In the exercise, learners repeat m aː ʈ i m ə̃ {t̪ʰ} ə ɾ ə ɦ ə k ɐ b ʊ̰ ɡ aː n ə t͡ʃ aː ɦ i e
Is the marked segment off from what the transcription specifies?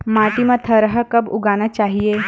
no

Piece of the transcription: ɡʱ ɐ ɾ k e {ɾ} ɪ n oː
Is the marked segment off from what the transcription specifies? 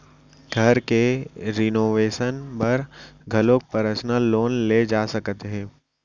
no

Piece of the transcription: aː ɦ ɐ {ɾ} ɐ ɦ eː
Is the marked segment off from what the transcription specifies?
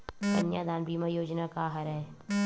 no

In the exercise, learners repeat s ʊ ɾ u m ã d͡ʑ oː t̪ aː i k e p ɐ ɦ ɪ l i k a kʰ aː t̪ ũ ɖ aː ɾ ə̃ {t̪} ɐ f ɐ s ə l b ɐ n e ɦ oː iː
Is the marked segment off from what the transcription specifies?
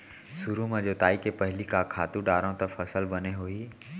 no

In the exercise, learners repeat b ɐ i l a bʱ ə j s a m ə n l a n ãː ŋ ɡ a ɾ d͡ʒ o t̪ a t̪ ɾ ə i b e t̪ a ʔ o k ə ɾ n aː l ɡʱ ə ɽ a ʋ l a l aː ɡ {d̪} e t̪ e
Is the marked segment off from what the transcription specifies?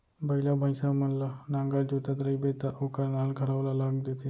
no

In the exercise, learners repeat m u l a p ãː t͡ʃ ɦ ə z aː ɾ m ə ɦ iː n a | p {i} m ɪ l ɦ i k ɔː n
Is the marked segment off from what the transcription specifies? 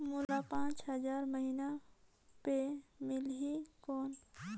yes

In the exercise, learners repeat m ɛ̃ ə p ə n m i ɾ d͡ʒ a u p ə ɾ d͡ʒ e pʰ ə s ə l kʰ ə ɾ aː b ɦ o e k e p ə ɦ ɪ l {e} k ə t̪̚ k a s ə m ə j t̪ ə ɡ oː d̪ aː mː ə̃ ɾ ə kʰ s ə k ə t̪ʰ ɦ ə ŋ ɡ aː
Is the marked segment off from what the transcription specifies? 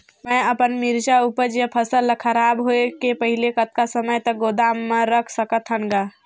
no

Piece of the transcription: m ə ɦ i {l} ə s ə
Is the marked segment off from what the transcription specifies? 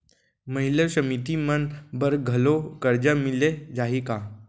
no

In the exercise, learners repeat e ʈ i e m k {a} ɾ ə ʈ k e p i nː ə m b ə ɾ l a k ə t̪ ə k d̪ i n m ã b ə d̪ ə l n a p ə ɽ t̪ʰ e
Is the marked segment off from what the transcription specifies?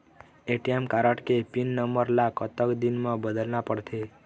no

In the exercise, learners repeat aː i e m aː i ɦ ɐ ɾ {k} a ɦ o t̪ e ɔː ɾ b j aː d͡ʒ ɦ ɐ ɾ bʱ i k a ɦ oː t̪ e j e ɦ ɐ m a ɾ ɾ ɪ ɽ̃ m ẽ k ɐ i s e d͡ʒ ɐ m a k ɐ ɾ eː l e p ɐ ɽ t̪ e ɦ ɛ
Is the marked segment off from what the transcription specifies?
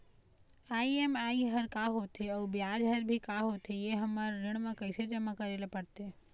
no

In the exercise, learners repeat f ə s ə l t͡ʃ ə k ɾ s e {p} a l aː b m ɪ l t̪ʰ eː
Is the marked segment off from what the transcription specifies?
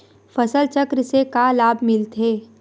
yes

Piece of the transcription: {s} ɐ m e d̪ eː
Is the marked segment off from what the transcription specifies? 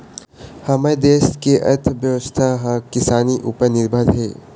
yes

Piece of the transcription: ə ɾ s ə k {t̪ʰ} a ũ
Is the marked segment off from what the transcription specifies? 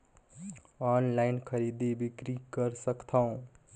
no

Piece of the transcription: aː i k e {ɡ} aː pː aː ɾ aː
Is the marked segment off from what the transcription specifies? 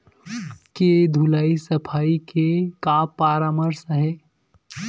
yes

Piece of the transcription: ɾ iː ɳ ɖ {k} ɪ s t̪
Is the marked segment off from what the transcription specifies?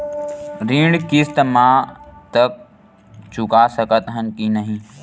no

